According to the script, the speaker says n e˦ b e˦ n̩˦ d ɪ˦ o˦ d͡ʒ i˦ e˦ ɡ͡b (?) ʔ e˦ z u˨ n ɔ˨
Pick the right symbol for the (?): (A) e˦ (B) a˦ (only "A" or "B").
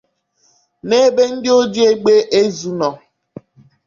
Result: A